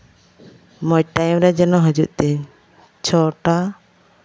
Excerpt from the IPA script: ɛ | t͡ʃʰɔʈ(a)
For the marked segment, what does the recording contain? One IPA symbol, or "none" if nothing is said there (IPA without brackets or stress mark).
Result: a